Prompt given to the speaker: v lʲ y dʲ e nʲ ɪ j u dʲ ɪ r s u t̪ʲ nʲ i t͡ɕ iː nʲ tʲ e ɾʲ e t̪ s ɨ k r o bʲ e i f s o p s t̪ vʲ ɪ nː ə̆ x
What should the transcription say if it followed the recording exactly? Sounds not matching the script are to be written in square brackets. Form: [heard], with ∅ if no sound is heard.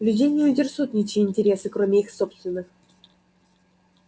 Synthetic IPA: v lʲ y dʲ e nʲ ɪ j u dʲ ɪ r s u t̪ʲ nʲ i t͡ɕ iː nʲ tʲ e ɾʲ e [∅] s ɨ k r o [mʲ] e i [x] s o p s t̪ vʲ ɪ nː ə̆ x